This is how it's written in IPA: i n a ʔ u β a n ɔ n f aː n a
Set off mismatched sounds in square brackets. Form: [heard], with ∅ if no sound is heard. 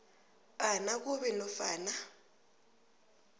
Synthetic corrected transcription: [a] n a [k] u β [ɛ] n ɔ [∅] f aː n a